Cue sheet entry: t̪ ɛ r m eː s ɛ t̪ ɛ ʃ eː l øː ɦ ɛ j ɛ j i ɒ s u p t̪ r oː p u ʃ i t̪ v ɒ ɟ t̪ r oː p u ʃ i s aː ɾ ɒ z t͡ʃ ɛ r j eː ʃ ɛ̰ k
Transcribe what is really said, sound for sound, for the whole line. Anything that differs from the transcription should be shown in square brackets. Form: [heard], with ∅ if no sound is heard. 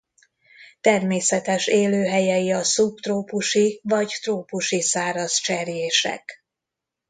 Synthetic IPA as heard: t̪ ɛ r m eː s ɛ t̪ ɛ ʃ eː l øː ɦ ɛ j ɛ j i ɒ s u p t̪ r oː p u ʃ i [∅] v ɒ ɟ t̪ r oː p u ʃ i s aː ɾ ɒ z t͡ʃ ɛ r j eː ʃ ɛ̰ k